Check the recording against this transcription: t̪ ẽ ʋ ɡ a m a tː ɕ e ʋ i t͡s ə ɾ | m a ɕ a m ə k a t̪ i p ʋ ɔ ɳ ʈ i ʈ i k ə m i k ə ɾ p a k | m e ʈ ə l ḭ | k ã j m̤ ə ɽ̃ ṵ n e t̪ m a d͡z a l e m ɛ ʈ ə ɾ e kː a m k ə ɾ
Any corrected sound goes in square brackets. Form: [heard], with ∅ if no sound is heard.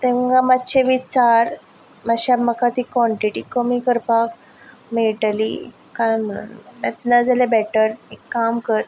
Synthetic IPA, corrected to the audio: t̪ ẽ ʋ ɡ a m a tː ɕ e ʋ i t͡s [a] ɾ | m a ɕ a m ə k a t̪ i [k] ʋ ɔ ɳ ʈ i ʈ i k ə m i k ə ɾ p a k | m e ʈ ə l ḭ | k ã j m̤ ə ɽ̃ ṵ n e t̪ [n] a d͡z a l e [b] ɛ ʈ ə ɾ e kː a m k ə ɾ